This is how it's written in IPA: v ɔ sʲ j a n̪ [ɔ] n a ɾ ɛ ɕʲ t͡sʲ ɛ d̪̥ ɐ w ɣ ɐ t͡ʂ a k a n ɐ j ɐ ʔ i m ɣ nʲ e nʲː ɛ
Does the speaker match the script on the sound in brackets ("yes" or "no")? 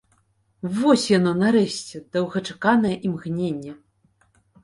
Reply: yes